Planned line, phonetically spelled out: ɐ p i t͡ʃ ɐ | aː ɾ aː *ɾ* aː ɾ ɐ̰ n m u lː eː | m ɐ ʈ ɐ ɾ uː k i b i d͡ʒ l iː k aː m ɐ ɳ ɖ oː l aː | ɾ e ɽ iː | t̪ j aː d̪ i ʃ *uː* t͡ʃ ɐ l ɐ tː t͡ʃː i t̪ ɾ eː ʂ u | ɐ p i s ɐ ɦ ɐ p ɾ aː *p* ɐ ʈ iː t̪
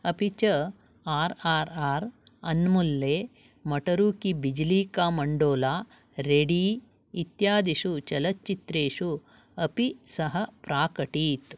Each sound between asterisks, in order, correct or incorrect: correct, incorrect: u, incorrect: k

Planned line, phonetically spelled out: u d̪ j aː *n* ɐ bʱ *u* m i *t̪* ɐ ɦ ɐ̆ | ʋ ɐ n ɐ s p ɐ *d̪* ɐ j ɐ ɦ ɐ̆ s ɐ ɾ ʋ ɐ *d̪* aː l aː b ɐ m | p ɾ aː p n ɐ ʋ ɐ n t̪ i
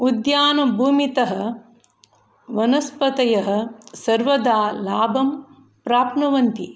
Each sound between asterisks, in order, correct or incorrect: correct, incorrect: uː, correct, incorrect: t̪, correct

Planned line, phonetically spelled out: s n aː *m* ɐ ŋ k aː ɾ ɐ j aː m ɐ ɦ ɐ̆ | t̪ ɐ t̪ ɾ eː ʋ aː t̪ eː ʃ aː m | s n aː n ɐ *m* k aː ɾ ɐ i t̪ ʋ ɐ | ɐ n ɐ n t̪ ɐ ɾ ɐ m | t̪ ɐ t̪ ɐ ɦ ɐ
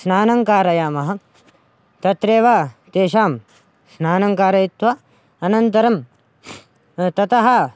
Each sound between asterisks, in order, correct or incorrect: incorrect: n, incorrect: ŋ

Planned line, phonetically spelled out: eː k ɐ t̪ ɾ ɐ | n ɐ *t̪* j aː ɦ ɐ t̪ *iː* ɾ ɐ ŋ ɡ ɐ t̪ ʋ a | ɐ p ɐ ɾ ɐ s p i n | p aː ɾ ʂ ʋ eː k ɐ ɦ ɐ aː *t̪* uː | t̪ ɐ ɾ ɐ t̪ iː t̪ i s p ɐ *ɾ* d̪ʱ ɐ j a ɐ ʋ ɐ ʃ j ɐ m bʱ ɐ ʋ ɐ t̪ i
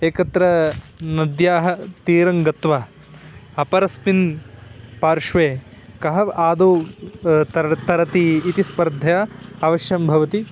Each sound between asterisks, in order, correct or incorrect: incorrect: d̪, correct, incorrect: d̪, correct

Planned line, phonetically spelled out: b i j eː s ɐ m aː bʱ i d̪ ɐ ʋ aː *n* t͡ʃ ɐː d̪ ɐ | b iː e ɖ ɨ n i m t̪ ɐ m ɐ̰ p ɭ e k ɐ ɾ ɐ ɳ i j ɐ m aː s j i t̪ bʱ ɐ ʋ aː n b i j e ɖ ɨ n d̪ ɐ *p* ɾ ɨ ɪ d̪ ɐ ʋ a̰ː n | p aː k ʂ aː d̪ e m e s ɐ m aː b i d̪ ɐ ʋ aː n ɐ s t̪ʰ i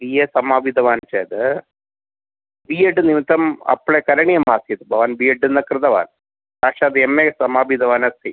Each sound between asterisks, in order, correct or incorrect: correct, incorrect: k

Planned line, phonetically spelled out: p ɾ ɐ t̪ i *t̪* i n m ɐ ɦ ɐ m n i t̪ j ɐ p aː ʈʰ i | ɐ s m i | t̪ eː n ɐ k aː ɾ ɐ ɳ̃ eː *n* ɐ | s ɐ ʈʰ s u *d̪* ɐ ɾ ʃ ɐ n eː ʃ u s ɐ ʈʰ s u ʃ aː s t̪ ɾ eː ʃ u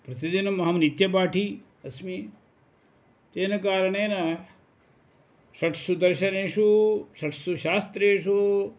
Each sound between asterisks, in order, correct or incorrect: incorrect: d̪, correct, correct

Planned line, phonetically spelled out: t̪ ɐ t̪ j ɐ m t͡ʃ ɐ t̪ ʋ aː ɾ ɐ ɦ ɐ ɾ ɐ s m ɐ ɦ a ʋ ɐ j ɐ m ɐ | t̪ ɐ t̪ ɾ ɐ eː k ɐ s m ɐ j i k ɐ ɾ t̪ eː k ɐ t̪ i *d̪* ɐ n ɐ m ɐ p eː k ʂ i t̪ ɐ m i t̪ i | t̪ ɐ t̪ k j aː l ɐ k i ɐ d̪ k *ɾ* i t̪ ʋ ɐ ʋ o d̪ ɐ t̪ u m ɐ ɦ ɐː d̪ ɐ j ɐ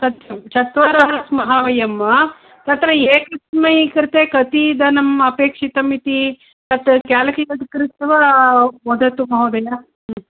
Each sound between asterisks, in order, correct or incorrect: correct, correct

